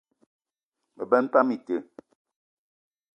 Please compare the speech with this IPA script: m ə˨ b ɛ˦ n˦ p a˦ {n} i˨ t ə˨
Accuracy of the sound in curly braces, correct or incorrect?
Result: incorrect